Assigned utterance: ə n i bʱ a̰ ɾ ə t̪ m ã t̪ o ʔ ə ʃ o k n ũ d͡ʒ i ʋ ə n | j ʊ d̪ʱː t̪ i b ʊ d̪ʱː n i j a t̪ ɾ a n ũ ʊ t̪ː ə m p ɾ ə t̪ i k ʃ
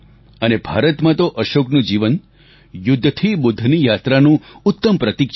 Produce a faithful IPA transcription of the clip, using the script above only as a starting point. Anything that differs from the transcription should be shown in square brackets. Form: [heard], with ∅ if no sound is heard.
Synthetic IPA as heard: ə n [e] bʱ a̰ ɾ ə t̪ m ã t̪ o ʔ ə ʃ o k n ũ d͡ʒ i ʋ ə n | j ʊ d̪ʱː [t̪ʰ] i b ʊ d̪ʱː n i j a t̪ ɾ a n ũ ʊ t̪ː ə m p ɾ ə t̪ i k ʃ

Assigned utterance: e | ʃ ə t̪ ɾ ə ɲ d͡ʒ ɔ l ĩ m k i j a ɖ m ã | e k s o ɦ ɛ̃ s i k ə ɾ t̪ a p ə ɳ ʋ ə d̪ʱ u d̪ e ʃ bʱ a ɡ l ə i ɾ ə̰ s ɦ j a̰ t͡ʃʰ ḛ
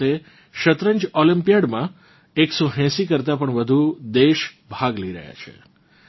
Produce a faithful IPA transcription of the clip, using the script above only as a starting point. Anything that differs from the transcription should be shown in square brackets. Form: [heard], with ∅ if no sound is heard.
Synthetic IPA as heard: e | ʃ ə t̪ ɾ ə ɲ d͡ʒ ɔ l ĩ m [p] i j a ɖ m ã | e k s o ɦ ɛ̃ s i k ə ɾ t̪ a p ə ɳ ʋ ə d̪ʱ u d̪ e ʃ bʱ a ɡ l ə i ɾ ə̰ [∅] ɦ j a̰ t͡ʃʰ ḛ

